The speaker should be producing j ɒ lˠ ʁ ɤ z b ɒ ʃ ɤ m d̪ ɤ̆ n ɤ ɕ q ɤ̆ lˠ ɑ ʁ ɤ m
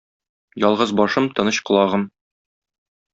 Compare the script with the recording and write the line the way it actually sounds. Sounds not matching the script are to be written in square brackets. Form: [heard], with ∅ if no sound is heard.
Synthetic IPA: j ɒ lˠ ʁ ɤ z b ɒ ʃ ɤ m [t̪] ɤ̆ n ɤ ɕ q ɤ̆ lˠ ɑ ʁ ɤ m